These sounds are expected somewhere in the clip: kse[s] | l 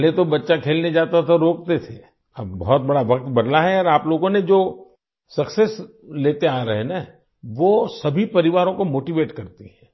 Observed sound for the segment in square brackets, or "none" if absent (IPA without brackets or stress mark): s